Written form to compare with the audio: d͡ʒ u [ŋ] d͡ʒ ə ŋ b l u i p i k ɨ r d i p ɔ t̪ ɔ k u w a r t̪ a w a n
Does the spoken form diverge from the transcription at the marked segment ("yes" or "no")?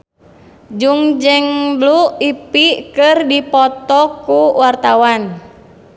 no